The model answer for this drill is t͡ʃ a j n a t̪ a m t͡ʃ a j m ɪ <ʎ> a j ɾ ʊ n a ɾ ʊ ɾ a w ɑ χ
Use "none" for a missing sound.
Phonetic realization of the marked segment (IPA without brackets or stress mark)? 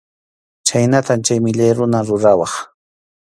ʎ